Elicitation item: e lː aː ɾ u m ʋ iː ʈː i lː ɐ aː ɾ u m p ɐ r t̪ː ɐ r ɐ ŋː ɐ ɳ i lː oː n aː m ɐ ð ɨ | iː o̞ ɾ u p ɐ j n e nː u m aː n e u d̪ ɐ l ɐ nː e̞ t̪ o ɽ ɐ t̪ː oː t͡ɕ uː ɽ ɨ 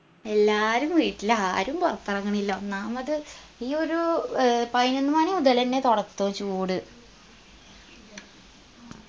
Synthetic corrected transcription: e lː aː ɾ u m ʋ iː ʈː i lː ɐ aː ɾ u m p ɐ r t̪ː ɐ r ɐ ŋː ɐ ɳ i lː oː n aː m ɐ ð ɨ | iː o̞ ɾ u p ɐ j n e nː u m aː n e u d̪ ɐ l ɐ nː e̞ t̪ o ɽ ɐ t̪ː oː t͡ɕ uː ɽ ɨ